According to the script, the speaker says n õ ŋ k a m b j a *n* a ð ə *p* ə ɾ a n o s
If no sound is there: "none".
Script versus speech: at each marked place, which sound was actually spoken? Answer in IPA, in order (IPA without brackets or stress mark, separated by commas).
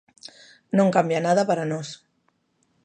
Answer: n, p